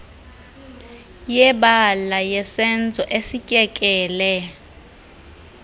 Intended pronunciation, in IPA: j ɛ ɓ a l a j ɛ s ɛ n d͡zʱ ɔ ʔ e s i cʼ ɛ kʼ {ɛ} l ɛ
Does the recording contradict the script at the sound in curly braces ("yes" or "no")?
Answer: yes